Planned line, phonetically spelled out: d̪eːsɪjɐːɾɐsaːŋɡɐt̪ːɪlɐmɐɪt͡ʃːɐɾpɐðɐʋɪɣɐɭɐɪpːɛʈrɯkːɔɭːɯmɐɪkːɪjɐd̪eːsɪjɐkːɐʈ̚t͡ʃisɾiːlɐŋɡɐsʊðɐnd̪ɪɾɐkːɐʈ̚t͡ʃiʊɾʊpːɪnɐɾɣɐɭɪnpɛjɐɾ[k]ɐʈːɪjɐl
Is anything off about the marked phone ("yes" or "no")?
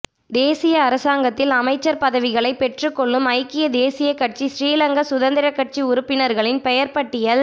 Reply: yes